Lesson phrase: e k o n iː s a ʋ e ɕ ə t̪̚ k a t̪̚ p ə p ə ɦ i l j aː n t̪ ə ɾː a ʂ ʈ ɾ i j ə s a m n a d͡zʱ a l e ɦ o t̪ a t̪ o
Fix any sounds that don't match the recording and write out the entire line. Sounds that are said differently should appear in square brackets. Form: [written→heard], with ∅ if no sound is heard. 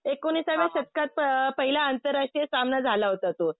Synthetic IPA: e k o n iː s a ʋ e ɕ ə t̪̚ k a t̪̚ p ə p ə ɦ i l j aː n t̪ ə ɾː a ʂ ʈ ɾ i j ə s a m n a d͡zʱ a l [e→a] ɦ o t̪ a t̪ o